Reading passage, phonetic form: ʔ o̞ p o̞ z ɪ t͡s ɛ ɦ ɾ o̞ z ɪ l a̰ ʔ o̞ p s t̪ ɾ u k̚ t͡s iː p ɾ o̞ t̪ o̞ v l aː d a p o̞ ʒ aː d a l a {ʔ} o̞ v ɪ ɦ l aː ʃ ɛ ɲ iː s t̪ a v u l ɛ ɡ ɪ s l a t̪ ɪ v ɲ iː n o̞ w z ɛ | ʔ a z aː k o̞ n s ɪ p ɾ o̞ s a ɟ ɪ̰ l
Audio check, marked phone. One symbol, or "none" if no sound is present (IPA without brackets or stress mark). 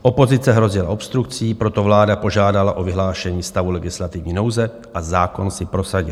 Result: ʔ